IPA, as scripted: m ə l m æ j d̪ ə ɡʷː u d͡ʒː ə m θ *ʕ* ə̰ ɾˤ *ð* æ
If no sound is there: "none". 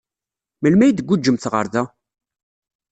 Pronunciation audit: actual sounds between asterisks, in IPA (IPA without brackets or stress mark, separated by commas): ʁ, ð